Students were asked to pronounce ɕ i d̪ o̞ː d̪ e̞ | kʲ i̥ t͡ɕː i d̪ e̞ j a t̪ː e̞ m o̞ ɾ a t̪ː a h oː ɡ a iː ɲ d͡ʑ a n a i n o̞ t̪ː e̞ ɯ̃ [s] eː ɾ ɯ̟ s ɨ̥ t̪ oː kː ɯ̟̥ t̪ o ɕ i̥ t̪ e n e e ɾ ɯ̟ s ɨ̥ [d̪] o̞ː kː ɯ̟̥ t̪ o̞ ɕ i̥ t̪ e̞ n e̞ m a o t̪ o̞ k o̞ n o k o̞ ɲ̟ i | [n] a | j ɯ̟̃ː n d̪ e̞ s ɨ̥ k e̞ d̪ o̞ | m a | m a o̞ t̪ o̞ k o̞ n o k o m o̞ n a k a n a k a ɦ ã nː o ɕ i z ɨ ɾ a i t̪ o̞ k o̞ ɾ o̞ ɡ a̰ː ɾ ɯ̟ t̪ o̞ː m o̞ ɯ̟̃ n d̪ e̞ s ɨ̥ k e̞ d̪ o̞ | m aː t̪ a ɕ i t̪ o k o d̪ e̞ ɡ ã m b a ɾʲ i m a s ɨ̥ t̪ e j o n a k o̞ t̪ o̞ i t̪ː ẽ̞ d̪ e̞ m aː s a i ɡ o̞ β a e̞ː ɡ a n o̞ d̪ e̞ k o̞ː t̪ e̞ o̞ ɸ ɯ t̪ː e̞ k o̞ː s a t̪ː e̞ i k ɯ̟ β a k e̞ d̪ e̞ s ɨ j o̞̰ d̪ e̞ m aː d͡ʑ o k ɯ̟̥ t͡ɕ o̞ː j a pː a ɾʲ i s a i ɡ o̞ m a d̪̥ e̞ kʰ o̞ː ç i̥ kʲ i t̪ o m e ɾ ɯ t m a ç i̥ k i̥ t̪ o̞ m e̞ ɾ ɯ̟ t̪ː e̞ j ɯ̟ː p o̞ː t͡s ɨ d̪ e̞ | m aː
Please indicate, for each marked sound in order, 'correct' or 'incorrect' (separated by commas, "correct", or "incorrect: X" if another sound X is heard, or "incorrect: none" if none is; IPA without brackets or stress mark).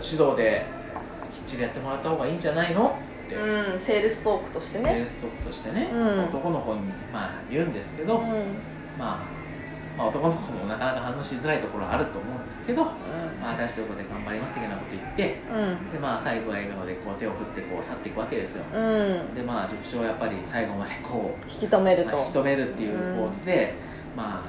correct, incorrect: t̪, incorrect: m